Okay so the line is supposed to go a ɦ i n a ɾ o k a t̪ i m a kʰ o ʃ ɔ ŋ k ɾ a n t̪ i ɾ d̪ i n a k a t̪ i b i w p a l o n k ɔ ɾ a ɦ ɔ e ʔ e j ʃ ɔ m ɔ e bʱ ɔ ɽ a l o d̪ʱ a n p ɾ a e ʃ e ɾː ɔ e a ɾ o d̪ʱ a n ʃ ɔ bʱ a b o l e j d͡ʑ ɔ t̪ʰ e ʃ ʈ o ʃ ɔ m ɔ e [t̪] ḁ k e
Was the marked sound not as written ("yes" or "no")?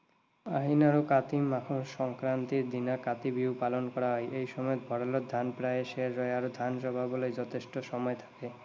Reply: yes